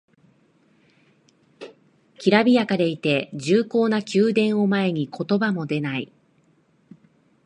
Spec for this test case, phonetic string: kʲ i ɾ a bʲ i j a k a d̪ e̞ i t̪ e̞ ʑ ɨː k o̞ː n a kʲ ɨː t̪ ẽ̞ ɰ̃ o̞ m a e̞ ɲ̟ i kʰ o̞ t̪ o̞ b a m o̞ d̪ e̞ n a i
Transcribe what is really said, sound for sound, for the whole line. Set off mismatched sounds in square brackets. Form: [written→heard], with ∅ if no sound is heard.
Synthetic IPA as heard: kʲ i ɾ a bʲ i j a k a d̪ e̞ i t̪ e̞ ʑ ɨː k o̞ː n a kʲ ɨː [t̪→d̪] ẽ̞ ɰ̃ o̞ m a e̞ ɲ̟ i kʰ o̞ t̪ o̞ b a m o̞ d̪ e̞ n a i